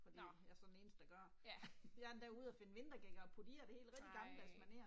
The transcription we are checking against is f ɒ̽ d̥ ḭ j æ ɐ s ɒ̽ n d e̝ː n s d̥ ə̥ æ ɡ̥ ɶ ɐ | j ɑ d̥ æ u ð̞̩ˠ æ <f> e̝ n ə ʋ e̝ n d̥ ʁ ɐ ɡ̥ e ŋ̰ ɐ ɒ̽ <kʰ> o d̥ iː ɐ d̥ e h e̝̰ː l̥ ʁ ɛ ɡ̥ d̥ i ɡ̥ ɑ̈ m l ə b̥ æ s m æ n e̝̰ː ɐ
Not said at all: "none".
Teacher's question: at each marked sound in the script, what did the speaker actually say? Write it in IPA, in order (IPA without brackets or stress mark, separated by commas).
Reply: f, pʰ